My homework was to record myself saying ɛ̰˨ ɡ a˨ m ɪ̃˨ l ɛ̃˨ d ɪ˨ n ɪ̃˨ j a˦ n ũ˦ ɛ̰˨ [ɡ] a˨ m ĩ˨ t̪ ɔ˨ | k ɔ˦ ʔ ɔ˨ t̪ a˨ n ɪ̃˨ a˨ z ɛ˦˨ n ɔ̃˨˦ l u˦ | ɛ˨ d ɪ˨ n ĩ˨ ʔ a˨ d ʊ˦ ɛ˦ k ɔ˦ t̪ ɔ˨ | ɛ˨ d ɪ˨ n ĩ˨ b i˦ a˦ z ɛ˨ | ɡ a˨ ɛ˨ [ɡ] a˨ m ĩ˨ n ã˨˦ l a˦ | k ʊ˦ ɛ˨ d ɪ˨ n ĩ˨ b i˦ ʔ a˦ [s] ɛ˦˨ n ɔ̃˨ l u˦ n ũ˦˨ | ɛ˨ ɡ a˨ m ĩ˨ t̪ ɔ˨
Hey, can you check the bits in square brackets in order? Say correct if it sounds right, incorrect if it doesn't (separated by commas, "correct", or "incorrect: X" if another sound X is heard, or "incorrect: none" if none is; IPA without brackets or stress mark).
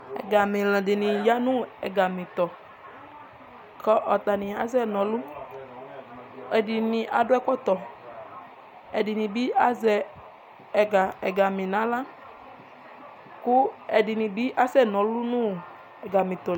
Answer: correct, correct, correct